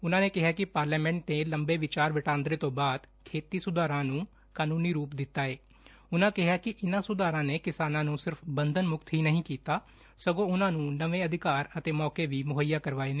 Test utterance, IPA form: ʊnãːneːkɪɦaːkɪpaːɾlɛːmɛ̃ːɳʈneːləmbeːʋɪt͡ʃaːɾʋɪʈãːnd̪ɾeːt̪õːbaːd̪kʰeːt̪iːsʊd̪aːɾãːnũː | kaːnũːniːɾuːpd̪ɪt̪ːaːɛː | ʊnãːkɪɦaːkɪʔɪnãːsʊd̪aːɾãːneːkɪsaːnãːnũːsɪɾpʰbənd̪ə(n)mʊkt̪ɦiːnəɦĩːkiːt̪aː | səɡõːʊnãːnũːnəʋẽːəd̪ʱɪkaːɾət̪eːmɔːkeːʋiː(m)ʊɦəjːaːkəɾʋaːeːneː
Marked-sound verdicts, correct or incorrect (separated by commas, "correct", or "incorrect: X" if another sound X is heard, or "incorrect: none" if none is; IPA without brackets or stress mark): correct, correct